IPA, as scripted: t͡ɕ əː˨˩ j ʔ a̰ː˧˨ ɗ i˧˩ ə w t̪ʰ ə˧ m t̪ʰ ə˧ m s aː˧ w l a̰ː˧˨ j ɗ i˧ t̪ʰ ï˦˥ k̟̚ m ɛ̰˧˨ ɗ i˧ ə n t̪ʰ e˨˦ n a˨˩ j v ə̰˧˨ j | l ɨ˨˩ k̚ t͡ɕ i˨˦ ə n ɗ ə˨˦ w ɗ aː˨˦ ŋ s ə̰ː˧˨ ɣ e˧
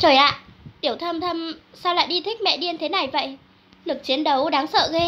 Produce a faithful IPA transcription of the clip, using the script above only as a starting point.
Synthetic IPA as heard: t͡ɕ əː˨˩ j ʔ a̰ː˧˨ ɗ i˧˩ ə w t̪ʰ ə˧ m t̪ʰ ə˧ m s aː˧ w l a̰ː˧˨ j ɗ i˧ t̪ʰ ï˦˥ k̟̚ m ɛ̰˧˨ ɗ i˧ ə n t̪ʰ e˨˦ n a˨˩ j v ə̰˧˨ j | l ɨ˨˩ k̚ t͡ɕ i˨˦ ə n ɗ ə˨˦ w ɗ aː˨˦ ŋ s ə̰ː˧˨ ɣ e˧